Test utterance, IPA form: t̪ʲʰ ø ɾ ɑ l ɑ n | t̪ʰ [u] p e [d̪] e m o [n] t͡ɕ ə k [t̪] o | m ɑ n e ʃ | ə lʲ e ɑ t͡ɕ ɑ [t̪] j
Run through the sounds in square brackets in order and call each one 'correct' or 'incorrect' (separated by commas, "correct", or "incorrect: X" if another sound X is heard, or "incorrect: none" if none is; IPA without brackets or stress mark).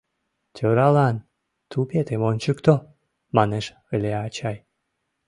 correct, incorrect: t̪, correct, correct, incorrect: none